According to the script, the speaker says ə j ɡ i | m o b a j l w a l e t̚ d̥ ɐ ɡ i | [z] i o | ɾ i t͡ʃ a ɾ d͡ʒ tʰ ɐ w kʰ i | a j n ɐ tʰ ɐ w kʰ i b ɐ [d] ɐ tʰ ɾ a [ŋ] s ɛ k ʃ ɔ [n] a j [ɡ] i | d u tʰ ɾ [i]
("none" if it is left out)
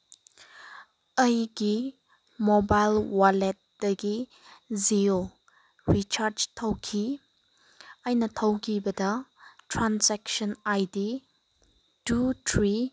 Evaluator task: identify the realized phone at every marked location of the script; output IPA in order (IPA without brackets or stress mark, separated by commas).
z, d, n, n, d, i